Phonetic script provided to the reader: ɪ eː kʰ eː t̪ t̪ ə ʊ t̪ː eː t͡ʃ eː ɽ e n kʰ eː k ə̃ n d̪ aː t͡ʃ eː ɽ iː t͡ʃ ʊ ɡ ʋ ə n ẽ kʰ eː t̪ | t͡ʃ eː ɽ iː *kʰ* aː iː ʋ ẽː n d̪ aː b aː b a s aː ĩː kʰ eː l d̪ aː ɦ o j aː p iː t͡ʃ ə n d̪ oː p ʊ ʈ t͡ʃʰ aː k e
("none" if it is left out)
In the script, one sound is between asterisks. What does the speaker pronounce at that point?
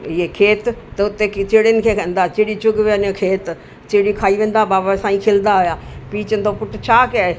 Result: kʰ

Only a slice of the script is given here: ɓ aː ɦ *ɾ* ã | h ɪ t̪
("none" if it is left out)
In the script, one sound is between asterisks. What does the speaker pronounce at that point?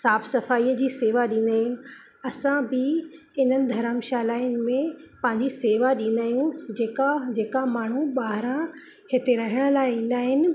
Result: ɾ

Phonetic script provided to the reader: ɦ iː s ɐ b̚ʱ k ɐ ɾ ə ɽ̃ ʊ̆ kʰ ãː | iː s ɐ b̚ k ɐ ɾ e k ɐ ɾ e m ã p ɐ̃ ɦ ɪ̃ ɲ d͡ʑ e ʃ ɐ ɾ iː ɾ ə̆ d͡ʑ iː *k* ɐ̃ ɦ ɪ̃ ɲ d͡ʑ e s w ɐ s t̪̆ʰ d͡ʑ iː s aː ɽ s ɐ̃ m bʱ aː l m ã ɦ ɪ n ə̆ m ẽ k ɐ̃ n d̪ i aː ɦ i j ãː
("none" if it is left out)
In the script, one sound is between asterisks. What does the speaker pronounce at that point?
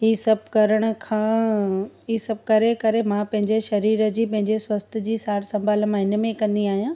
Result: p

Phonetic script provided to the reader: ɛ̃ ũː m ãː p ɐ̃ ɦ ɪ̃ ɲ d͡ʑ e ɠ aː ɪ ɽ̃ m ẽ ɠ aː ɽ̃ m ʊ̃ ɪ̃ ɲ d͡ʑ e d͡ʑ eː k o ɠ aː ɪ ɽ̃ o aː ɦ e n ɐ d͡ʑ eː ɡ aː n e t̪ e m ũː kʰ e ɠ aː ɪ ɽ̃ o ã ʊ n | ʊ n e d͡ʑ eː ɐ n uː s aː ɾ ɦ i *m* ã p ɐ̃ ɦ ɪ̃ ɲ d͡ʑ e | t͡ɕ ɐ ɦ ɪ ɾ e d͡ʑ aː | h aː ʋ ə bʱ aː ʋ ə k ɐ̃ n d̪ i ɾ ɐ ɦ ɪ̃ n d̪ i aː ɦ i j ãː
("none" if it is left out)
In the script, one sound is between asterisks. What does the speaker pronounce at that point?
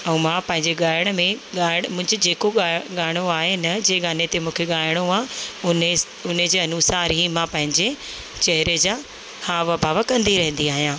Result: m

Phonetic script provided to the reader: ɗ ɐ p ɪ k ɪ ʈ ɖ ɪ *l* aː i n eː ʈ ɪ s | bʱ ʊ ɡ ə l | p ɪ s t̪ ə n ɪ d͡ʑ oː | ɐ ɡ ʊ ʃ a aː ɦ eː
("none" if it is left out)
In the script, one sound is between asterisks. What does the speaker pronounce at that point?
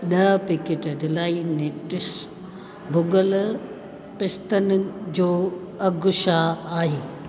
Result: l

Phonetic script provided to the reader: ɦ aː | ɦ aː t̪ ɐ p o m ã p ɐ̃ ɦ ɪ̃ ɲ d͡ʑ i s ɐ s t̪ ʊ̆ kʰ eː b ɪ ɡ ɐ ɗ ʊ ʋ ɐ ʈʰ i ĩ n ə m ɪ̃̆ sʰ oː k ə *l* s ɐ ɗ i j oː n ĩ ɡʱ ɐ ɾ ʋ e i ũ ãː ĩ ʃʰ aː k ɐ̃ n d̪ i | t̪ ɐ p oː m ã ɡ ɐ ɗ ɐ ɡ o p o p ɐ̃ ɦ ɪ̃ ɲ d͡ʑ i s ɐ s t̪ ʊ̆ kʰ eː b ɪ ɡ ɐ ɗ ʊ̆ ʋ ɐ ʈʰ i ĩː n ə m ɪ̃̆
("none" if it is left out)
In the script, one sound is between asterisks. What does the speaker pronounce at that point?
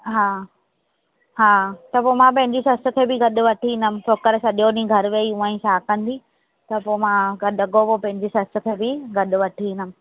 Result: ɾ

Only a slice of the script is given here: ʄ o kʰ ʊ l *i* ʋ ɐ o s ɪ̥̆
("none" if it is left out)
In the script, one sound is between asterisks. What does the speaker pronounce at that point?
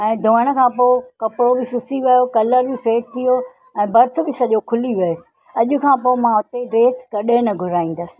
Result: i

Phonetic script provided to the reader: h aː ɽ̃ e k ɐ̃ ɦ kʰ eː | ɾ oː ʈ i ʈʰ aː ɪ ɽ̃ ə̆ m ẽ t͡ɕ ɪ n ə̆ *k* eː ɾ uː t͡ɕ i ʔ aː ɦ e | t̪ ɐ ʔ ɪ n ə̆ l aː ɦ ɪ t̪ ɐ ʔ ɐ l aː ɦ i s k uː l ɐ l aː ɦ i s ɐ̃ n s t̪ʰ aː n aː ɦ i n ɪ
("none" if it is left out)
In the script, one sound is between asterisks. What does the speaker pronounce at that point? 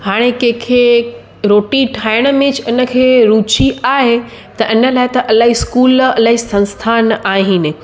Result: kʰ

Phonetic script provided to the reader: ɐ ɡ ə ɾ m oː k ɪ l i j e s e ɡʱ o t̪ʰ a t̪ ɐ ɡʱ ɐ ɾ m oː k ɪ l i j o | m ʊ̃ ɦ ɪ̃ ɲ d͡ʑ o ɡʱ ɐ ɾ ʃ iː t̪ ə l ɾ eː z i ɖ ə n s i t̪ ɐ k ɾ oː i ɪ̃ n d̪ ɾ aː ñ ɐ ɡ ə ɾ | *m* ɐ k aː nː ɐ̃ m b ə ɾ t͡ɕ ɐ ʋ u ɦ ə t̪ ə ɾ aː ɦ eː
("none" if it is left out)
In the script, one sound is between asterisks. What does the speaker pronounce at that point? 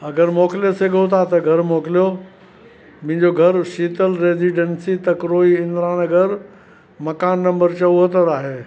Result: m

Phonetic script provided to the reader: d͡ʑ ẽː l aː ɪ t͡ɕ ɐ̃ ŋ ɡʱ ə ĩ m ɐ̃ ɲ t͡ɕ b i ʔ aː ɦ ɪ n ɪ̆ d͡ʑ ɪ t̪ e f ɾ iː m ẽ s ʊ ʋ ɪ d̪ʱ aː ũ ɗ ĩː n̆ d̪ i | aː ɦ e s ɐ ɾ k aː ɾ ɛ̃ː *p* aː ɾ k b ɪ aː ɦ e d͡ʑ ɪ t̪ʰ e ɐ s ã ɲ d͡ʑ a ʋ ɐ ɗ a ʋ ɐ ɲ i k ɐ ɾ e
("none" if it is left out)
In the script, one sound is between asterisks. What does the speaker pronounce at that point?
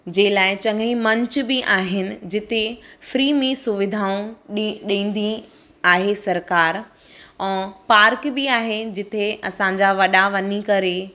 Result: p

